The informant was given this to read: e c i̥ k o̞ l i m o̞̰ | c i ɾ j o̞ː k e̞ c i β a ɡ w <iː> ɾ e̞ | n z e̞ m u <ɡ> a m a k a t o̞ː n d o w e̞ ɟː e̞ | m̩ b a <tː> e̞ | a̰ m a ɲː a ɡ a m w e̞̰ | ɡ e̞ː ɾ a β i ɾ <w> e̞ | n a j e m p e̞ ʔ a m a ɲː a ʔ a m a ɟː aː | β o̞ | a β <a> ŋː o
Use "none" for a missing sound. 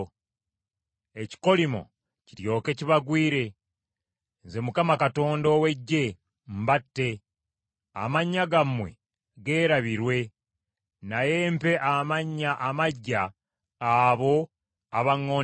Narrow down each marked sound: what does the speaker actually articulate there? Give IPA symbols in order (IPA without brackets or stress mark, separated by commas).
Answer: iː, k, tː, w, a